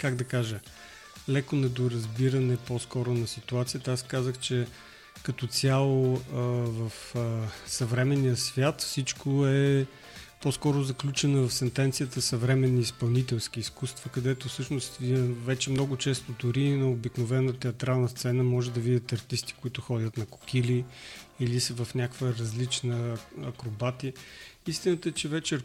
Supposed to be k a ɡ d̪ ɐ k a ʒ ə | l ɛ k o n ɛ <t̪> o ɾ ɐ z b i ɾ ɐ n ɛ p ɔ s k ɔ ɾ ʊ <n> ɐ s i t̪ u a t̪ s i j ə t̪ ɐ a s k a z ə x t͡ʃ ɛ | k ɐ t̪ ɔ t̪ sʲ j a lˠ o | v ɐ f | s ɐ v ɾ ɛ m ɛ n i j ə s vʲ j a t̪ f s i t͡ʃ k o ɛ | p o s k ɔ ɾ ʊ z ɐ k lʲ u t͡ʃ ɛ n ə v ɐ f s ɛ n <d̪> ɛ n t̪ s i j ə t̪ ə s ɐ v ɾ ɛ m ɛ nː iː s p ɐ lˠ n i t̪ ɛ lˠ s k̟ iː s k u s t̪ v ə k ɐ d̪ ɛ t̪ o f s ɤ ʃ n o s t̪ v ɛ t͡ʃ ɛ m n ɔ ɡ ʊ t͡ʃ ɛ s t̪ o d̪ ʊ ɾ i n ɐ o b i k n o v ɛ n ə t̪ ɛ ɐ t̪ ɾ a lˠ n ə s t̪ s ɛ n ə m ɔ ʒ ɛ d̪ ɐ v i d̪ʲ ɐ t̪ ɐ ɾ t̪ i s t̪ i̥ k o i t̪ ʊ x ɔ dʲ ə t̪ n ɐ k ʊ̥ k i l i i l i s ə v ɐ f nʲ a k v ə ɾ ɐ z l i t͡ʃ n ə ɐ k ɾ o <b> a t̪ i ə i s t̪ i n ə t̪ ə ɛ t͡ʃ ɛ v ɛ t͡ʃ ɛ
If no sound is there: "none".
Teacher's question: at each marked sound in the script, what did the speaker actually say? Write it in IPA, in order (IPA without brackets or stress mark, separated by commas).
d̪, n, t̪, b